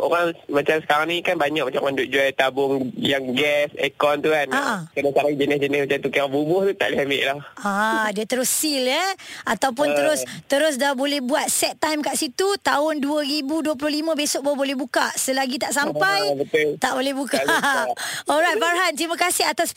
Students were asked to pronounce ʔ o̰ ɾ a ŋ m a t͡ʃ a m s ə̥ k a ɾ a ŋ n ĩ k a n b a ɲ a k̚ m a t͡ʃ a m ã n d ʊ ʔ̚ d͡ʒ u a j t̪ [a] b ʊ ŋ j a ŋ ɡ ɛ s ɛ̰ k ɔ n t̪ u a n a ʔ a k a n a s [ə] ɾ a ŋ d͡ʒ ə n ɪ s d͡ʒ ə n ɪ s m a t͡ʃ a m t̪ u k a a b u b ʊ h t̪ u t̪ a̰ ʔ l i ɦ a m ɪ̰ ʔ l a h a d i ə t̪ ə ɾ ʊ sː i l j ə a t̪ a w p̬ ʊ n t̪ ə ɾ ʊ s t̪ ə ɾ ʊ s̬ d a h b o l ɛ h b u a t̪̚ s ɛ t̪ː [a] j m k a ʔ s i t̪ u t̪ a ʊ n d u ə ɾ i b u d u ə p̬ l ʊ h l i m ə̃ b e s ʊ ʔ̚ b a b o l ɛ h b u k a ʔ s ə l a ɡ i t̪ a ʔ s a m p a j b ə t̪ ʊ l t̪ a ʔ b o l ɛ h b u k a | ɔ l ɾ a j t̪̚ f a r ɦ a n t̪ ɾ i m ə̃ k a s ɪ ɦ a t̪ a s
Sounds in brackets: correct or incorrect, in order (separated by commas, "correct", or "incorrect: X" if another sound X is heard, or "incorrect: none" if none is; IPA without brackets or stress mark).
correct, incorrect: a, correct